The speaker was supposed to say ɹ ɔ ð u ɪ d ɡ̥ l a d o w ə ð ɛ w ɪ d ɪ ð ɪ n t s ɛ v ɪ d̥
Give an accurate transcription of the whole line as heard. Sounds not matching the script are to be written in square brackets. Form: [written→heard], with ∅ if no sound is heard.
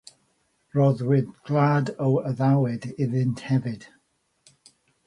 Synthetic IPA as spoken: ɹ ɔ ð [u→w] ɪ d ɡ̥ l a d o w ə ð [ɛ→a] w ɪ d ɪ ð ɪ n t [s→h] ɛ v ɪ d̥